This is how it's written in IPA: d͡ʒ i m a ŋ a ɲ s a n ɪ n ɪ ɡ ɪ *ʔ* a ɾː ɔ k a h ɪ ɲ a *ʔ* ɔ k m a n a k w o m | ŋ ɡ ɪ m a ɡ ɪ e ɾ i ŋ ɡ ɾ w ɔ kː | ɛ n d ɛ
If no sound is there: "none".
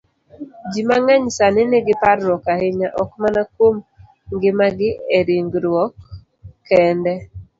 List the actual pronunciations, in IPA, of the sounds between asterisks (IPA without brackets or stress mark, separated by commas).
p, ʔ